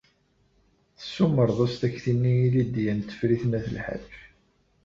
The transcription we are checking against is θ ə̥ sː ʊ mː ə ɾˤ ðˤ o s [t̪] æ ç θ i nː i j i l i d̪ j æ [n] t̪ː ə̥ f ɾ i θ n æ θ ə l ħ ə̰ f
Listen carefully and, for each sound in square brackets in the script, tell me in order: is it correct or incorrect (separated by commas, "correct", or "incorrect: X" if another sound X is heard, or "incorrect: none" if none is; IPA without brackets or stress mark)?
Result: correct, correct